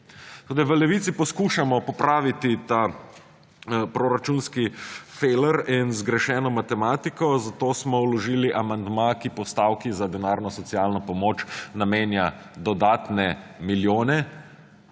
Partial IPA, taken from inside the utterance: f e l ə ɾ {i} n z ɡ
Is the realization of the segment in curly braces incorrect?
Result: no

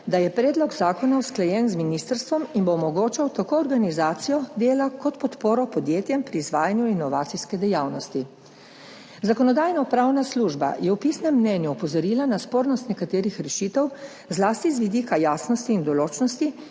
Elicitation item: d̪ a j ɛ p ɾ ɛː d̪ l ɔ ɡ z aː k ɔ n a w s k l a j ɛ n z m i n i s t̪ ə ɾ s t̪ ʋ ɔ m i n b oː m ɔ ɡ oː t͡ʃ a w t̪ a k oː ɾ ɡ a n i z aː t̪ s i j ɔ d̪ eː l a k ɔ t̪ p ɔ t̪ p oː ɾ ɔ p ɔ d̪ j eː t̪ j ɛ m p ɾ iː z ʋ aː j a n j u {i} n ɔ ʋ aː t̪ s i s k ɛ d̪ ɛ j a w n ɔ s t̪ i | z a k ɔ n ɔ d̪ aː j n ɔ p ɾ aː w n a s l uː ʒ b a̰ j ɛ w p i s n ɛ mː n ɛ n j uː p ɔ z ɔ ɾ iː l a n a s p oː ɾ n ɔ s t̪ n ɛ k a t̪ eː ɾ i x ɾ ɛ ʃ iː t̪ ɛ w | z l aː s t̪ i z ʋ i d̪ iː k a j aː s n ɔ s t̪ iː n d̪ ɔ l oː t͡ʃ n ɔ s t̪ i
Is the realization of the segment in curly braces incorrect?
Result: no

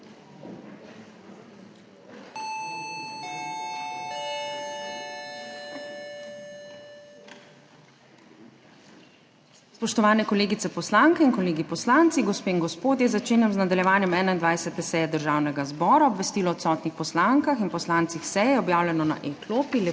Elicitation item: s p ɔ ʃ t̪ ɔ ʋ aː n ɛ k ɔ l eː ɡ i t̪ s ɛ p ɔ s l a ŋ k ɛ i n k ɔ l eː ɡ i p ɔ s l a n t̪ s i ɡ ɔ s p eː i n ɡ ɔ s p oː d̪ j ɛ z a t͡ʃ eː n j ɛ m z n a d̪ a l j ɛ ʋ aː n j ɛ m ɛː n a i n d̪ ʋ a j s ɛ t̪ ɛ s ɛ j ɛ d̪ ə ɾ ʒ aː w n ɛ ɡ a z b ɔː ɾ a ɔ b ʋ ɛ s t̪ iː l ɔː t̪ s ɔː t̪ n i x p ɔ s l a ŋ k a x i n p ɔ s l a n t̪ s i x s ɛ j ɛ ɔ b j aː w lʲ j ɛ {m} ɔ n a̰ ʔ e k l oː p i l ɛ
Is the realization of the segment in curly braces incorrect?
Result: yes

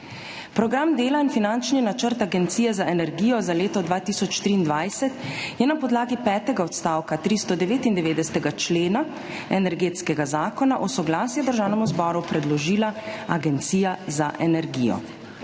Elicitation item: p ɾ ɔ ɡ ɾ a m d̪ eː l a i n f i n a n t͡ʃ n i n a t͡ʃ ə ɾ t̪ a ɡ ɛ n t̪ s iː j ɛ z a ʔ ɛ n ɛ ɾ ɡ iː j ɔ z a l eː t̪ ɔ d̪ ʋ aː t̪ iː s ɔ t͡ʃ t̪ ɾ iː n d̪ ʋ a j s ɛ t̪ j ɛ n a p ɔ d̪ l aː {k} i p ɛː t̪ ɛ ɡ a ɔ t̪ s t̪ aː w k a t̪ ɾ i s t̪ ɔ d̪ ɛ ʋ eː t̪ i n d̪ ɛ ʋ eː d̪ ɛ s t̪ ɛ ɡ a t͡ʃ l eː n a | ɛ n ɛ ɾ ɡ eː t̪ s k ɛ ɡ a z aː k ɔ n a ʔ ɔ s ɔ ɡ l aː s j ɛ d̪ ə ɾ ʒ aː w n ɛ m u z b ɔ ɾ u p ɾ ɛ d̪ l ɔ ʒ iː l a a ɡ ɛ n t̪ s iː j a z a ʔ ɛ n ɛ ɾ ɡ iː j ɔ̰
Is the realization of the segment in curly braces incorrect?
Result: yes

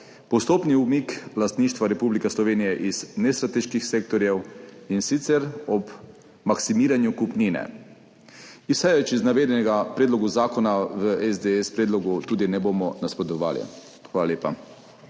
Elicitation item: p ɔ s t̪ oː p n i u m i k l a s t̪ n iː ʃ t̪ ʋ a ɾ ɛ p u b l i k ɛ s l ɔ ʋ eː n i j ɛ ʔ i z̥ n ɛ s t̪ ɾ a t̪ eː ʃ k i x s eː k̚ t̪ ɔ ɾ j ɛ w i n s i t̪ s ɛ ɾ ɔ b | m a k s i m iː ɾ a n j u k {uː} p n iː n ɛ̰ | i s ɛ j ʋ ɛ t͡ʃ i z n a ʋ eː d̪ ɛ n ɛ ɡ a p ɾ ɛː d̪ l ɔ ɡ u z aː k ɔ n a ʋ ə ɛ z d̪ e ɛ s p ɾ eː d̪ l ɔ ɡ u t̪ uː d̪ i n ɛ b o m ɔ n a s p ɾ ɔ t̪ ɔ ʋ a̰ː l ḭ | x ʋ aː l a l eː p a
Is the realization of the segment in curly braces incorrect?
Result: yes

